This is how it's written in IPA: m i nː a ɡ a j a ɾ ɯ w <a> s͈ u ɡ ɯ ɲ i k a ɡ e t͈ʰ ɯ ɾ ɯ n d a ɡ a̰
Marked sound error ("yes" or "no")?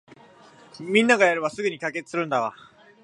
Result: no